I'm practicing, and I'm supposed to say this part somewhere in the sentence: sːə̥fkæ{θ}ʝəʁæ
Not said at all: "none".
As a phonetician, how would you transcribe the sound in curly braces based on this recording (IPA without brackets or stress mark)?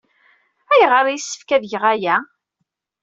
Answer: ð